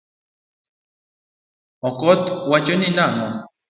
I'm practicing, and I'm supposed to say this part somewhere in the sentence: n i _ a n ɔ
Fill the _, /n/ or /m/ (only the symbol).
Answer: n